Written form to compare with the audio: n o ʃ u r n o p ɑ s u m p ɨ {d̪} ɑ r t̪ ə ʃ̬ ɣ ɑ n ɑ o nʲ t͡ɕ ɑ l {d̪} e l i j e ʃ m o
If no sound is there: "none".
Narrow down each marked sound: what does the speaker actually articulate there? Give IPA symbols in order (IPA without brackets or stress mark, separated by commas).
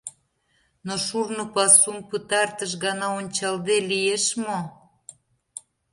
t̪, d̪